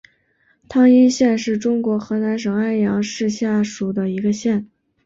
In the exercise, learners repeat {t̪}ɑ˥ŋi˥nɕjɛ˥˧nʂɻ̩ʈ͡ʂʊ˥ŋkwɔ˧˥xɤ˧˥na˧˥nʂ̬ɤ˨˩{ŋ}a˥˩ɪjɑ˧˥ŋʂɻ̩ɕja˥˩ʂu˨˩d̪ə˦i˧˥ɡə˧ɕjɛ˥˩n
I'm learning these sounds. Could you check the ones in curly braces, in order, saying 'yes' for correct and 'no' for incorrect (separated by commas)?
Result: no, yes